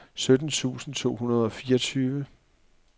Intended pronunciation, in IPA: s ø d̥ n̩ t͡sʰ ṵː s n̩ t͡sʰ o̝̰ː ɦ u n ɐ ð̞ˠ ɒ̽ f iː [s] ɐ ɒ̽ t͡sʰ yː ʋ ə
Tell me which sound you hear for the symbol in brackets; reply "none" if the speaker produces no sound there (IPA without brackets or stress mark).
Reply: none